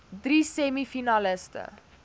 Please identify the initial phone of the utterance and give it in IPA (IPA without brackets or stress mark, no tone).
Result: d